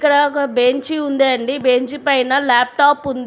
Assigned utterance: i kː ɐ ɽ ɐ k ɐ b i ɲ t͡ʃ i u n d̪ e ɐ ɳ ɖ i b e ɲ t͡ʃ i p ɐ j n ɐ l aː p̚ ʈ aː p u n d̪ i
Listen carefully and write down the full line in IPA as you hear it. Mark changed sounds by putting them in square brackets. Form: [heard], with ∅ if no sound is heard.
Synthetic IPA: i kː ɐ ɽ ɐ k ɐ b [e] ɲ t͡ʃ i u n d̪ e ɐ ɳ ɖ i b e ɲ t͡ʃ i p ɐ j n ɐ l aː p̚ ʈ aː p u n d̪ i